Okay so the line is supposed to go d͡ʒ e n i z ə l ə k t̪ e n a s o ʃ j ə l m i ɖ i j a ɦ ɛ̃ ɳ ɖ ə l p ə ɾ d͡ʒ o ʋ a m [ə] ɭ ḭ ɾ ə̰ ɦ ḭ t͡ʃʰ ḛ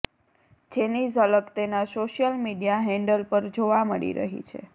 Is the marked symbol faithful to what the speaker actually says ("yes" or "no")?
yes